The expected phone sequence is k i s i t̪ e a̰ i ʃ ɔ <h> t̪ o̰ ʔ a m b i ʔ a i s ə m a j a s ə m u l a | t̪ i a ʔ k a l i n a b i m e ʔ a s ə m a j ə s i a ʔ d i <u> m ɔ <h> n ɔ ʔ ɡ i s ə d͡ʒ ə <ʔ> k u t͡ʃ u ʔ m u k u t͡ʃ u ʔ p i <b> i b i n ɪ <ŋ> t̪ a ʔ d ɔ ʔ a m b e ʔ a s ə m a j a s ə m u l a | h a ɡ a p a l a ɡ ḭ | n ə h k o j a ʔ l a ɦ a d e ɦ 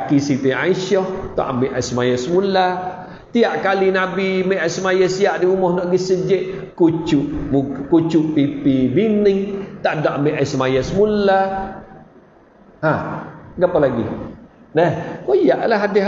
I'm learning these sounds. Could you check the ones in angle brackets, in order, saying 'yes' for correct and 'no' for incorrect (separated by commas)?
yes, yes, yes, yes, no, yes